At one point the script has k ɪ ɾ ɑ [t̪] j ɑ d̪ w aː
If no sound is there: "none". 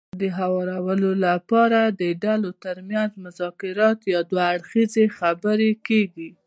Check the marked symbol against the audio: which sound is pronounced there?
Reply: t̪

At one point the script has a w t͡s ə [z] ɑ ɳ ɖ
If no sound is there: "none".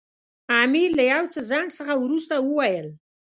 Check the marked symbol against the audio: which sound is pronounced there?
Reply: z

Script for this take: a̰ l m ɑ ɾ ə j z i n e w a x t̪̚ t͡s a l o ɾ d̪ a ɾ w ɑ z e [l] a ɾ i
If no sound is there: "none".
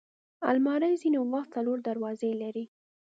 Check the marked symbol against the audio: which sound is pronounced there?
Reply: l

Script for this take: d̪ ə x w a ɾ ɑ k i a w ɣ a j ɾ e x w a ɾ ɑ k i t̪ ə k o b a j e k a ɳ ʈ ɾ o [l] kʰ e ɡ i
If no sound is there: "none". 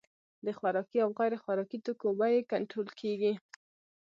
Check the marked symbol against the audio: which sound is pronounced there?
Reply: l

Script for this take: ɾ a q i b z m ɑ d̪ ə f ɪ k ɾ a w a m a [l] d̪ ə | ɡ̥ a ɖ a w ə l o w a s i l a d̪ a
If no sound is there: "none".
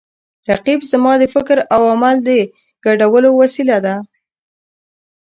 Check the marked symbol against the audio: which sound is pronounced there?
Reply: l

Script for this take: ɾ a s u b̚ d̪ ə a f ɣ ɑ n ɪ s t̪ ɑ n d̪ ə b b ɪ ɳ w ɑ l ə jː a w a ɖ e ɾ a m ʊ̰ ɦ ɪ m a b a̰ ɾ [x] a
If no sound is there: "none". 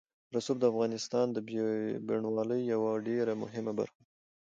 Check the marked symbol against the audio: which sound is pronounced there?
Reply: x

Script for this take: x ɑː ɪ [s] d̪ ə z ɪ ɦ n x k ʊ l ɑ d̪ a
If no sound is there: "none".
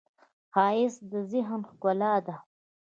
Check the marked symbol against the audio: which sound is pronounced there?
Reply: s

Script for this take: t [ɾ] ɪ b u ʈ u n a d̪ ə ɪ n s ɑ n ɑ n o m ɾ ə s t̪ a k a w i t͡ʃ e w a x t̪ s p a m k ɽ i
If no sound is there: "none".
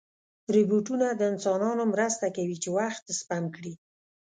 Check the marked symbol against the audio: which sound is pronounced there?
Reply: ɾ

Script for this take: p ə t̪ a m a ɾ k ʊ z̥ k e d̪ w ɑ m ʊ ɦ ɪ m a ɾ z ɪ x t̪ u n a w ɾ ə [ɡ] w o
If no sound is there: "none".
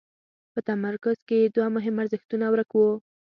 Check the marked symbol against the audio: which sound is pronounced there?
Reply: k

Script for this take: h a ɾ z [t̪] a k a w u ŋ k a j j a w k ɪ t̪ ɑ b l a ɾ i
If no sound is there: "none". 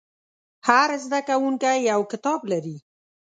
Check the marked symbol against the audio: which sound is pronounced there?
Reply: d̪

